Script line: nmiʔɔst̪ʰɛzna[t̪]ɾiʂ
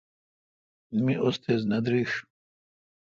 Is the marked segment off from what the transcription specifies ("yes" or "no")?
yes